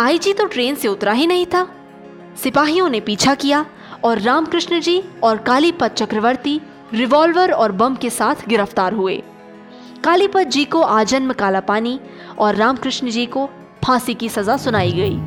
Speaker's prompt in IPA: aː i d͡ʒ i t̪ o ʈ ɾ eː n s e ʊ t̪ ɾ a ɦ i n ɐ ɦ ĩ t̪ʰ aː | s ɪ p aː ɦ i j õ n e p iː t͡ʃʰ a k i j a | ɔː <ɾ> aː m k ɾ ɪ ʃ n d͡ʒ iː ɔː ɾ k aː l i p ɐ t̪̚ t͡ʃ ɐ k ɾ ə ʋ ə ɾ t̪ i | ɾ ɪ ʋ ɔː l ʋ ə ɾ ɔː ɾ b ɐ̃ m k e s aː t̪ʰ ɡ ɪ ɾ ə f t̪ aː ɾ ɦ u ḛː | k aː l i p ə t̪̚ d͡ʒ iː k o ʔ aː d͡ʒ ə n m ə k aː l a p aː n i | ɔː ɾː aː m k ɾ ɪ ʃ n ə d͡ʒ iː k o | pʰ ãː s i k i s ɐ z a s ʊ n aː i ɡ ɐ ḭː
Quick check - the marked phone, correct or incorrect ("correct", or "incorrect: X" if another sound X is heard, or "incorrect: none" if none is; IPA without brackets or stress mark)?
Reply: incorrect: ɾː